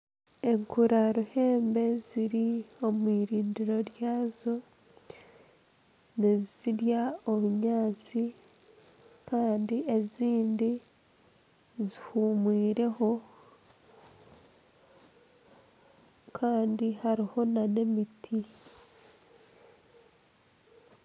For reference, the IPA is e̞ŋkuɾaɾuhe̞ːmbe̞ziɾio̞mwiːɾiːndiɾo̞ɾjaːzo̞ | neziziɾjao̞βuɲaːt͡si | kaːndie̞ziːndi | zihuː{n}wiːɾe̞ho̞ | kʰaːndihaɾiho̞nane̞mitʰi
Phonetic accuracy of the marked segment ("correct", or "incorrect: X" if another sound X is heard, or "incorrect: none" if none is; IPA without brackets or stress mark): incorrect: m